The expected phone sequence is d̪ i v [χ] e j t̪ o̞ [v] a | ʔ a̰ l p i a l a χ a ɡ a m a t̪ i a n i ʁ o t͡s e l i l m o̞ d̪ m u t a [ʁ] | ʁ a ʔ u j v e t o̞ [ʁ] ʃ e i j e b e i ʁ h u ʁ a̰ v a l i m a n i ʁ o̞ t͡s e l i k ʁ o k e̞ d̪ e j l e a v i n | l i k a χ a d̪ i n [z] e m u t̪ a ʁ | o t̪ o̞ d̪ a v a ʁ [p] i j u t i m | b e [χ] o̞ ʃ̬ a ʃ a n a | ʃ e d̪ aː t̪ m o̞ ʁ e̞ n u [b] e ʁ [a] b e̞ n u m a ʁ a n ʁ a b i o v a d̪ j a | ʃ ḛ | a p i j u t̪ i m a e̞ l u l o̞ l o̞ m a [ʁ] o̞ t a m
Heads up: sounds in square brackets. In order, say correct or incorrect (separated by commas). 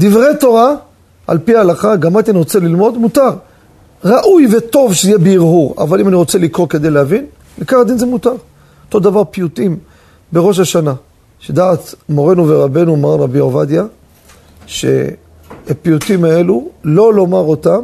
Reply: incorrect, incorrect, correct, incorrect, correct, correct, incorrect, incorrect, correct, correct